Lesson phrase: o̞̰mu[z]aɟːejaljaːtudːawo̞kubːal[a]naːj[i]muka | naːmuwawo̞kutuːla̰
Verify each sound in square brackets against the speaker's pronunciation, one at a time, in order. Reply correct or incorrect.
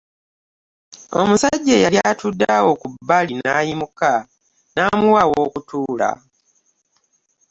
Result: incorrect, incorrect, correct

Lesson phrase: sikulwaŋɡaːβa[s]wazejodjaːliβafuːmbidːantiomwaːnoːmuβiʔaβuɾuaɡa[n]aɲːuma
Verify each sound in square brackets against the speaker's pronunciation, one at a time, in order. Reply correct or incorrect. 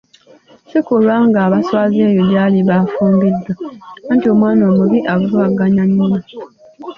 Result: correct, incorrect

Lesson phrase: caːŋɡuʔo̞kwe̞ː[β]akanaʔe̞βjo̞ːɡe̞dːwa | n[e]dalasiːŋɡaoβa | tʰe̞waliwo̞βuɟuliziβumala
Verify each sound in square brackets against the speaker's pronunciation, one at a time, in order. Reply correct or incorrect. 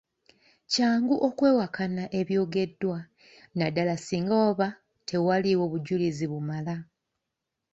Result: incorrect, incorrect

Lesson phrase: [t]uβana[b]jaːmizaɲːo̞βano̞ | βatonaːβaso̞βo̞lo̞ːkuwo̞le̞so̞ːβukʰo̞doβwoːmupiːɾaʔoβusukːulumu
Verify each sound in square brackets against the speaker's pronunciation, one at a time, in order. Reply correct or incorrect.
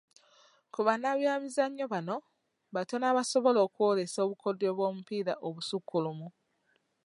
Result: incorrect, incorrect

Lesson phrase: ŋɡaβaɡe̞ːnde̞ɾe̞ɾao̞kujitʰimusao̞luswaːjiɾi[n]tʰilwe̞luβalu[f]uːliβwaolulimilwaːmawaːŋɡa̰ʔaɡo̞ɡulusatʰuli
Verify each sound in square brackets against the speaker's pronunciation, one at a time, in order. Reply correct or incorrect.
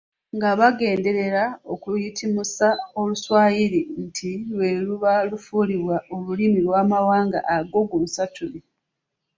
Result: correct, correct

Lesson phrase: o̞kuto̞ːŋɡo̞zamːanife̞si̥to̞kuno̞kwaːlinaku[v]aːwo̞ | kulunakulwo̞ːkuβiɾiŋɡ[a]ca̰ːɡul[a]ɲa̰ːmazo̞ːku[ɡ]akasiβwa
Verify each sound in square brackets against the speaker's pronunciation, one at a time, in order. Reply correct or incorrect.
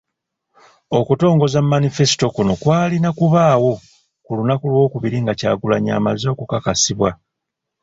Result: incorrect, correct, correct, incorrect

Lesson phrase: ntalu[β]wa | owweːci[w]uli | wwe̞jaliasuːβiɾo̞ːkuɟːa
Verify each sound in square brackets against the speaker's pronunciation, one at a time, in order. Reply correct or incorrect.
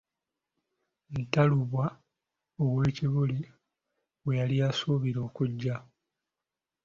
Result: correct, incorrect

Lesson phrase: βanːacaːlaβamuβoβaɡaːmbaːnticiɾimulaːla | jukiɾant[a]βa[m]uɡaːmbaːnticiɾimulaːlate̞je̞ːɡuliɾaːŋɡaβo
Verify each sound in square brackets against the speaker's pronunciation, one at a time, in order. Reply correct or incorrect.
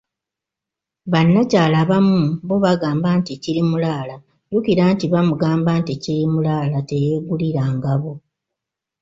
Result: incorrect, correct

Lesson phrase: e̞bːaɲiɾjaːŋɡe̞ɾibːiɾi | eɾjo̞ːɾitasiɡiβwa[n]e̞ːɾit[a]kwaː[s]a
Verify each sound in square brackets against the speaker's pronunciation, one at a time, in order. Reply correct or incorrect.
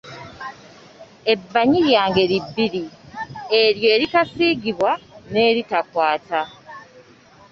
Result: correct, correct, incorrect

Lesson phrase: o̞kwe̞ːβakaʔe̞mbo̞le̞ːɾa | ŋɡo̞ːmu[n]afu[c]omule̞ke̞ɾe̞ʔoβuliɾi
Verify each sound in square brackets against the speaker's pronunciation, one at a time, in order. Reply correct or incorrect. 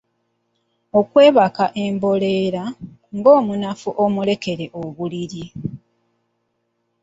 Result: correct, incorrect

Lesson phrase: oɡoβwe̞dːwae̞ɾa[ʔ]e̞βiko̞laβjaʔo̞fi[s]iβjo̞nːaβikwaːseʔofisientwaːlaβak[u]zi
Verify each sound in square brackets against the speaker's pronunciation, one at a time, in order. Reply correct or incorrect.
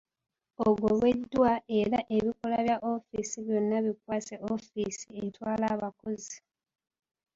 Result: correct, correct, incorrect

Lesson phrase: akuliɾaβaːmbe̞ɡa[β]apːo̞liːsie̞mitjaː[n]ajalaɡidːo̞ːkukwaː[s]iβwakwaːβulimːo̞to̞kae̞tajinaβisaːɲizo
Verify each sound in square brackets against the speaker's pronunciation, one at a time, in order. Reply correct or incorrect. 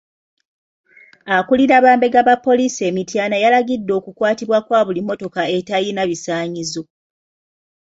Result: correct, correct, incorrect

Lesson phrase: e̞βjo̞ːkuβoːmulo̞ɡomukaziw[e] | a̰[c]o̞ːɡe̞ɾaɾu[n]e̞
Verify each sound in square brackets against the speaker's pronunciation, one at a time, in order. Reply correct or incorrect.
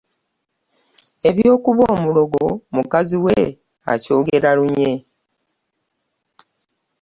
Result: correct, correct, incorrect

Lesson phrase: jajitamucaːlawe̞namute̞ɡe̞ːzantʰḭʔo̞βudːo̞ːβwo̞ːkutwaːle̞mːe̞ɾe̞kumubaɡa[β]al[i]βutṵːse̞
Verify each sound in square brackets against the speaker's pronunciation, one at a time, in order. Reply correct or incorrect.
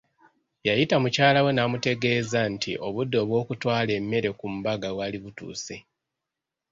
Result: incorrect, correct

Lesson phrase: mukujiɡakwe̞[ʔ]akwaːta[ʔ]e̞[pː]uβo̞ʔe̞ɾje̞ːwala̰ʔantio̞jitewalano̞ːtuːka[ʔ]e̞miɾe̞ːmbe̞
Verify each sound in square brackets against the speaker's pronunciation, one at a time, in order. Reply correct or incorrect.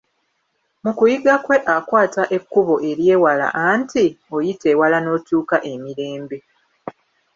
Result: correct, correct, incorrect, correct

